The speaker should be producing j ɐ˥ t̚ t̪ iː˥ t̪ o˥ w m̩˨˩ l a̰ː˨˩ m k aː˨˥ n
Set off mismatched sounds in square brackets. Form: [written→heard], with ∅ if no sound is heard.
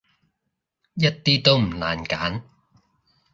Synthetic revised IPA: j ɐ˥ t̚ t̪ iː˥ t̪ o˥ w m̩˨˩ l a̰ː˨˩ [m→n] k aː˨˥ n